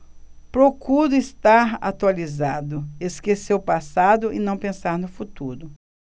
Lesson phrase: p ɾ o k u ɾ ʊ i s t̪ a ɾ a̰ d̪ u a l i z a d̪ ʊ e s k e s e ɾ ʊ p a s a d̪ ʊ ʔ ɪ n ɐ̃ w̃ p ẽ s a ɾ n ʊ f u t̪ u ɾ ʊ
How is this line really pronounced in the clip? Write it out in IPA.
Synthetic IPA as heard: p ɾ o k u ɾ ʊ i s t̪ a ɾ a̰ t̪ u a l i z a d̪ ʊ e s k e s e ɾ ʊ p a s a d̪ ʊ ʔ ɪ n ɐ̃ w̃ p ẽ s a ɾ n ʊ f u t̪ u ɾ ʊ